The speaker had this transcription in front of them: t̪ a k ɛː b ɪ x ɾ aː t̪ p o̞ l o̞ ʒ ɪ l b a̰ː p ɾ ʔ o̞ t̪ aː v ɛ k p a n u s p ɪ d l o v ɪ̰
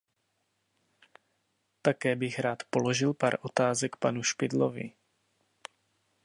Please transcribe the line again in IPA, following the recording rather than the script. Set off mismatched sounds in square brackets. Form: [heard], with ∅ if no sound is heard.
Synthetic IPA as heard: t̪ a k ɛː b ɪ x ɾ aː t̪ p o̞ l o̞ ʒ ɪ l [p] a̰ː [∅] ɾ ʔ o̞ t̪ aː [z] ɛ k p a n u [ʃ] p ɪ d l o v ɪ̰